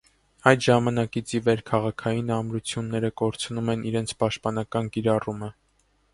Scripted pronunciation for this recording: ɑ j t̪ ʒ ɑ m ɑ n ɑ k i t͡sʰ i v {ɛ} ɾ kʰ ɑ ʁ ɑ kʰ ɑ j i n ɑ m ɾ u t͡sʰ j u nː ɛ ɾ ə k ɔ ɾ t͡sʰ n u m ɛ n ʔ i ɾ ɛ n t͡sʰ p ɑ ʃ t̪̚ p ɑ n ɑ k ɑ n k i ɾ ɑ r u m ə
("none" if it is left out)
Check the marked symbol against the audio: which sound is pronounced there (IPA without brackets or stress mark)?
ɛ